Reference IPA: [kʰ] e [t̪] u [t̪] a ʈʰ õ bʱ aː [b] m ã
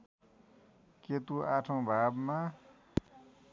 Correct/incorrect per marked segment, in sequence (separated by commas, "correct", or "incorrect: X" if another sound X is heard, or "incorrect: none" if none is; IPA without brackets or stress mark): incorrect: k, correct, incorrect: none, correct